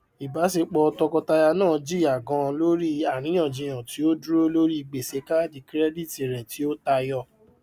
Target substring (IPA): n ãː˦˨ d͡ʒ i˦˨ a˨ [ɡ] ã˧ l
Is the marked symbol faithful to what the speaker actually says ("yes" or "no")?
yes